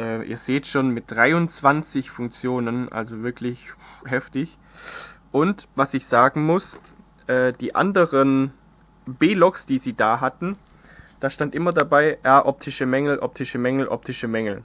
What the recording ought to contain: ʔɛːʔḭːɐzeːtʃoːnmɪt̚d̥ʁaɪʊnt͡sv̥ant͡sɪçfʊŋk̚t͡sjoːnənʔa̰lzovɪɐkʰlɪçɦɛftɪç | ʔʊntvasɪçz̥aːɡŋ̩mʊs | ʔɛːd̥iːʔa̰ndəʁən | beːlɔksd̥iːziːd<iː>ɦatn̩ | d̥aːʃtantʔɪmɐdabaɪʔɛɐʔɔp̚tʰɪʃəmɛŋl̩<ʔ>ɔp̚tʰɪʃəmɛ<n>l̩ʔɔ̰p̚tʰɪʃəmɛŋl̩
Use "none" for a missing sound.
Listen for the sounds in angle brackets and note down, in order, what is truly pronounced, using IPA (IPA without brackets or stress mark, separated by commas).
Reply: aː, ʔ, ŋ